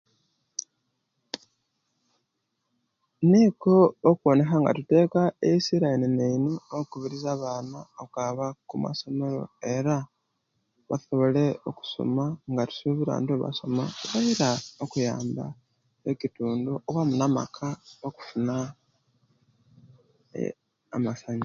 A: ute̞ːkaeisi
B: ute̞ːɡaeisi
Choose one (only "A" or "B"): A